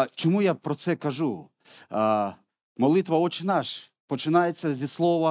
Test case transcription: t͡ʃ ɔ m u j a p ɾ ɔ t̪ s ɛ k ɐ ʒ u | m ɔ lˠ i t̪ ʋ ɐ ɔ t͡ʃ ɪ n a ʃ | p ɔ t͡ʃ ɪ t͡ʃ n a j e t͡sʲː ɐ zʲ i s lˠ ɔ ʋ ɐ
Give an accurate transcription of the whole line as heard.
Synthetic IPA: t͡ʃ ɔ m u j a p ɾ ɔ t̪ s ɛ k ɐ ʒ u | m ɔ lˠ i t̪ ʋ ɐ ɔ t͡ʃ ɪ n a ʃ | p ɔ t͡ʃ ɪ n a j e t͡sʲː ɐ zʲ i s lˠ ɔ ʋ ɐ